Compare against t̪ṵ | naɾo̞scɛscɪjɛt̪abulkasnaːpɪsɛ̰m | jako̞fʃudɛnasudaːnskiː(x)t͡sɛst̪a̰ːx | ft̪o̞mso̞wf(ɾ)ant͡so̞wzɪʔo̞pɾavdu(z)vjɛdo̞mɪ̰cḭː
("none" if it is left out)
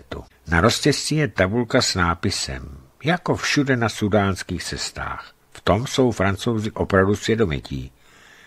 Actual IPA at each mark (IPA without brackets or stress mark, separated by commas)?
x, ɾ, s